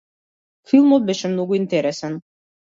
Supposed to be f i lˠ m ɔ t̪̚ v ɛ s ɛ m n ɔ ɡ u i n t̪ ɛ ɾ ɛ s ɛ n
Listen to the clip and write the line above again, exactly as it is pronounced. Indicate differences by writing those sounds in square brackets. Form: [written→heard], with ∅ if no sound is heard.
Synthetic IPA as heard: f i lˠ m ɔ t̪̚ [v→b] ɛ [s→ʃ] ɛ m n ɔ ɡ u i n t̪ ɛ ɾ ɛ s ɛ n